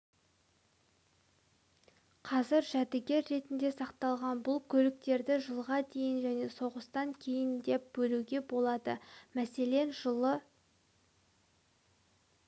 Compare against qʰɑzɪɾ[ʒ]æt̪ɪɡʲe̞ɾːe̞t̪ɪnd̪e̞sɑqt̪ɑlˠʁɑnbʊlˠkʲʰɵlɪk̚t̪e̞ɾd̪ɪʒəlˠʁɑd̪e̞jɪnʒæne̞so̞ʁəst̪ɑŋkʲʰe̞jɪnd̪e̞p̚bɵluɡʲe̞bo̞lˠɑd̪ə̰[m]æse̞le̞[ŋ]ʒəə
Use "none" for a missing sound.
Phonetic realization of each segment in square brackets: ʒ, m, n

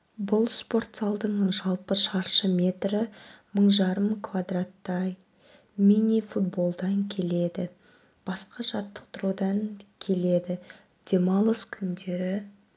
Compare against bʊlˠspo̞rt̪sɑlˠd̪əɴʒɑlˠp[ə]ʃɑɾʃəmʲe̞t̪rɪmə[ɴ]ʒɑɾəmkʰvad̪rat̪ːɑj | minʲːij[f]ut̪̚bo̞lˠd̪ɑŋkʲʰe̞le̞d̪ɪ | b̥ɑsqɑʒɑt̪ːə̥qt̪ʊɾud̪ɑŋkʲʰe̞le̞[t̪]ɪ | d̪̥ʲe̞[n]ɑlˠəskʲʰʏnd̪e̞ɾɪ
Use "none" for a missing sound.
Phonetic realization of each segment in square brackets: ə, ɴ, f, d̪, m

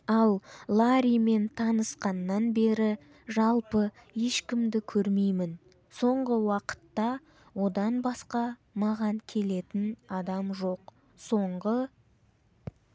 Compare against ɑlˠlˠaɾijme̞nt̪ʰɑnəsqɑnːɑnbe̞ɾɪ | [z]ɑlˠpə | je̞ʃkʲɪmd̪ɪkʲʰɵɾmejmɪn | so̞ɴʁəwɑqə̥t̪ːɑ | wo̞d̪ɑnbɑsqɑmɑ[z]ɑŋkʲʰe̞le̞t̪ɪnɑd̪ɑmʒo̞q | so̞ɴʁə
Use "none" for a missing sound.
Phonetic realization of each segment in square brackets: ʒ, ʁ

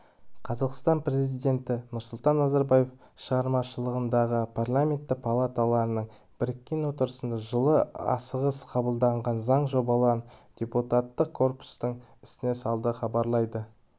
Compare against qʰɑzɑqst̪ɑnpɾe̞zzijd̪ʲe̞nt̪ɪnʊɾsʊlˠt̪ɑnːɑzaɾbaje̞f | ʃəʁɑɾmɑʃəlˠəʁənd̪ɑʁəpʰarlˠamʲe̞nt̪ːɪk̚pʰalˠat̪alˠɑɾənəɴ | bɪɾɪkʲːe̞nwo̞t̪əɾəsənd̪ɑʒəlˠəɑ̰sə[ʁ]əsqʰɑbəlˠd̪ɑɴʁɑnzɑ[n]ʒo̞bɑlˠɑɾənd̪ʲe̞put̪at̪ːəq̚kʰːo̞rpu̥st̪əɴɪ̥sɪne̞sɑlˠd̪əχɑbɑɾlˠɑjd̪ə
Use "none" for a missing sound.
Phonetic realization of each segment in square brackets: ʁ, ɴ

